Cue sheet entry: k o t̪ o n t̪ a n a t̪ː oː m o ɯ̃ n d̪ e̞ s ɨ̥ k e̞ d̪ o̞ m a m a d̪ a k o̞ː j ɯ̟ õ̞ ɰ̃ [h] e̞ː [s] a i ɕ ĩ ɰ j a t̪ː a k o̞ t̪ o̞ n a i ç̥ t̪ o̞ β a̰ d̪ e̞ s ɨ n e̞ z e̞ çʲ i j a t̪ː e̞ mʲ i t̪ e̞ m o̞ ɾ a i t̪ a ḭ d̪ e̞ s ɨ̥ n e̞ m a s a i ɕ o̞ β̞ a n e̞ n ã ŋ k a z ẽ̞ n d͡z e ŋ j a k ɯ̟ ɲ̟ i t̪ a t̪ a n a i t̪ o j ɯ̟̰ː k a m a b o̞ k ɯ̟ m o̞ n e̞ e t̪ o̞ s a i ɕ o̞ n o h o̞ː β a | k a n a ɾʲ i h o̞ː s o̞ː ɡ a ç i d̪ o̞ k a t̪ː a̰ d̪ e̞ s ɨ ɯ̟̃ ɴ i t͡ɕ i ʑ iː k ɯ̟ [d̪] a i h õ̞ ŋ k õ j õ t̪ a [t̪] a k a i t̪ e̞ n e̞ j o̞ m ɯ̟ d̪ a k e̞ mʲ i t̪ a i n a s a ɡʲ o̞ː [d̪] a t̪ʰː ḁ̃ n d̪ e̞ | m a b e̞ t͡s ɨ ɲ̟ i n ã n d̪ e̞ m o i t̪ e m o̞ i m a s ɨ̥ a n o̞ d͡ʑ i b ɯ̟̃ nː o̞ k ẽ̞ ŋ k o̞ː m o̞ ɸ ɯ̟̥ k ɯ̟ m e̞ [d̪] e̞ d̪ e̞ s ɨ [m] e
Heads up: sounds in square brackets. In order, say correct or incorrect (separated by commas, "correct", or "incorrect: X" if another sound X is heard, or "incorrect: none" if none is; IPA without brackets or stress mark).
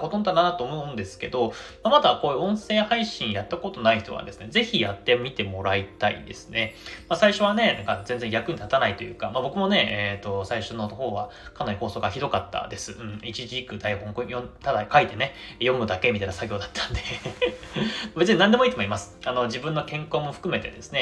incorrect: s, incorrect: h, correct, incorrect: d̪, correct, incorrect: t̪, incorrect: n